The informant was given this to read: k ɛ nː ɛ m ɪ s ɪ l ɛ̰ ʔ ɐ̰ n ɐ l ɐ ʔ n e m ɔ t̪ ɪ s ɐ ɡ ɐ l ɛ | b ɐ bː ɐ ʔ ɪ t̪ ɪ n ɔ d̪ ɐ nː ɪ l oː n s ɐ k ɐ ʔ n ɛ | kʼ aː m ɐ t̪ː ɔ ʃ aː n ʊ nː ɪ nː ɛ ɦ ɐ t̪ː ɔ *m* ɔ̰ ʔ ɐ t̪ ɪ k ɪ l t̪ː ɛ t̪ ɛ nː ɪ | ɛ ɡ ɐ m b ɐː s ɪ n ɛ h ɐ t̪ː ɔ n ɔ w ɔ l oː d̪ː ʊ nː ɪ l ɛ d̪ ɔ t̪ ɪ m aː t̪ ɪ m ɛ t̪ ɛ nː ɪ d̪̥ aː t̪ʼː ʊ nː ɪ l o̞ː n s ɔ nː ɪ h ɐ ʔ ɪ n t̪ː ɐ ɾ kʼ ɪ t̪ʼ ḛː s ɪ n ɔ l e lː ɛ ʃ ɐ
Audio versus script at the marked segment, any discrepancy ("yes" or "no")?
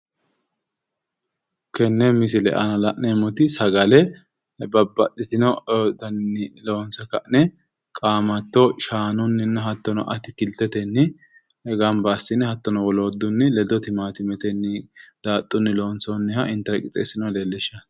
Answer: yes